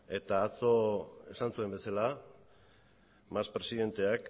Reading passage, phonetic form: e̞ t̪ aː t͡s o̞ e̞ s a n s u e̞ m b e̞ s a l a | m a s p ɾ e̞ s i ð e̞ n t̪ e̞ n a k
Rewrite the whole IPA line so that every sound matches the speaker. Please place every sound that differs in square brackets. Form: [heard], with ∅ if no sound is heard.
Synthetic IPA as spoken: e̞ t̪ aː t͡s o̞ e̞ s a n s u e̞ m b e̞ s a l a | m a s p ɾ e̞ s i ð e̞ n t̪ e̞ [∅] a k